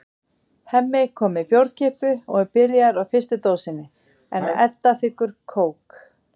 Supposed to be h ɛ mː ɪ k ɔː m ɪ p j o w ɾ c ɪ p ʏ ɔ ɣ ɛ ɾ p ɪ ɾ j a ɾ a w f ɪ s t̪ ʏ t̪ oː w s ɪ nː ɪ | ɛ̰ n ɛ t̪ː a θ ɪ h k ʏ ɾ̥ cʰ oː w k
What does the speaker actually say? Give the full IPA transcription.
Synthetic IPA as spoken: h ɛ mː ɪ kʰ ɔː m ɪ p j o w ɾ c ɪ p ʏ ɔ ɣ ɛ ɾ p ɪ ɾ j a ɾ a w f ɪ s t̪ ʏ t̪ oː w s ɪ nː ɪ | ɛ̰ n ɛ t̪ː a θ ɪ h k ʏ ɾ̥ kʰ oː w k